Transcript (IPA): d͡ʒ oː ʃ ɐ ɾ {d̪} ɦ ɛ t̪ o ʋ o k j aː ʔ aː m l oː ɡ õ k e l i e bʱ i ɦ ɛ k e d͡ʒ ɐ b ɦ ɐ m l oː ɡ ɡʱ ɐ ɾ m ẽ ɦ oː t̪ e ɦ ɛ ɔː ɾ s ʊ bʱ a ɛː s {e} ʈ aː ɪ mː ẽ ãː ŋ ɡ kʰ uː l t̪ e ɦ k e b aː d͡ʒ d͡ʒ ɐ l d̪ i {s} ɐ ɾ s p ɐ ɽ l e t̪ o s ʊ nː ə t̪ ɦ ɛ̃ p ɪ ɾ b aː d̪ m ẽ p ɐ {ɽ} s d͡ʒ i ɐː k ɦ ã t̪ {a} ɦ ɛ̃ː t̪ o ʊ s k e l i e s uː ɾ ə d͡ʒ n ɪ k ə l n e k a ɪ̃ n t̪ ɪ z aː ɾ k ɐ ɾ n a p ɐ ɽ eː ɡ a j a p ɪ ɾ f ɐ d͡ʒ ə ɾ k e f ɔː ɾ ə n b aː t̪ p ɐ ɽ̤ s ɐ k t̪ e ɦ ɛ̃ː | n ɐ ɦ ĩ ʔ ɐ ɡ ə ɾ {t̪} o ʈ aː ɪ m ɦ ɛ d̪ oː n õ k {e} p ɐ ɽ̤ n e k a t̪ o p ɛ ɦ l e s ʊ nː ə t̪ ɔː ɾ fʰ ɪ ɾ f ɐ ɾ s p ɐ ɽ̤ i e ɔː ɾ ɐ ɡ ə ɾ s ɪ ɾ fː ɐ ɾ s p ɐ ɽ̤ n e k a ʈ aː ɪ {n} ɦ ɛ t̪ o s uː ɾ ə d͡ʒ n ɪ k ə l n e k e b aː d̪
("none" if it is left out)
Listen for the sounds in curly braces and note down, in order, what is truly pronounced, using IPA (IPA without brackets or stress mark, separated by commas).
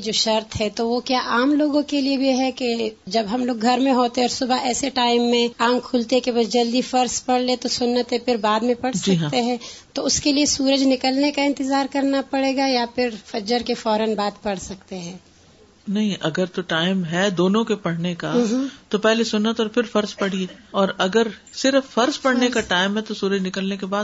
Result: t̪, e, f, ɽ, e, t̪, e, m